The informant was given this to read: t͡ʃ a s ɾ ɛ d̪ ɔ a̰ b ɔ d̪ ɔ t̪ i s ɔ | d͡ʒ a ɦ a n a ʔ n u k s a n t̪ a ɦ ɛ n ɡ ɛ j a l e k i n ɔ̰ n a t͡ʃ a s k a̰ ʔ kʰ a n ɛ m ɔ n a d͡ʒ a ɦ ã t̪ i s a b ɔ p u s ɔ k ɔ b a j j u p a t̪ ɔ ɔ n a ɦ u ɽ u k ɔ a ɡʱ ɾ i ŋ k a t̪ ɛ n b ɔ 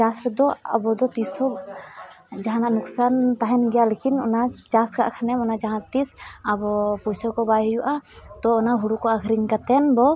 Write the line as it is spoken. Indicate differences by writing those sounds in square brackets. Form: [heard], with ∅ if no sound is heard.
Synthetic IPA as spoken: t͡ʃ a s ɾ ɛ d̪ ɔ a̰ b ɔ d̪ ɔ t̪ i s ɔ | d͡ʒ a ɦ a n a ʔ n u k s a n t̪ a ɦ ɛ n ɡ ɛ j a l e k i n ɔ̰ n a t͡ʃ a s k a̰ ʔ kʰ a n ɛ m ɔ n a d͡ʒ a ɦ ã t̪ i s a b ɔ p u s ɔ k ɔ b a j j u [ʔ] a t̪ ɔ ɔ n a ɦ u ɽ u k ɔ a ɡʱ ɾ i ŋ k a t̪ ɛ n b ɔ